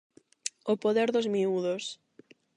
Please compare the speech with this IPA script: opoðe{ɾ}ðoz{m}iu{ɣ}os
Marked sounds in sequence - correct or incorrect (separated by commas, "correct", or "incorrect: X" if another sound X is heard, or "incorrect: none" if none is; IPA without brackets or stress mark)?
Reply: correct, correct, incorrect: ð